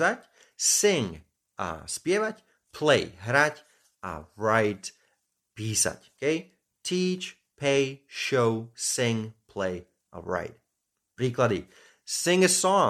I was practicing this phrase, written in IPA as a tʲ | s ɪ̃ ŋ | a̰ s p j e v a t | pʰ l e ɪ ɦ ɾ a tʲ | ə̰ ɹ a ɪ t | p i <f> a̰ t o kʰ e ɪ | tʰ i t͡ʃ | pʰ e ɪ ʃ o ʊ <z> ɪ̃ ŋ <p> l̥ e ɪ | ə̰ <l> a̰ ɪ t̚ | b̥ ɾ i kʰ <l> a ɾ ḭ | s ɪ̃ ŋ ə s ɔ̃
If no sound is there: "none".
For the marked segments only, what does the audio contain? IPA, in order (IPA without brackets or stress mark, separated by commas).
s, s, pʰ, ɹ, l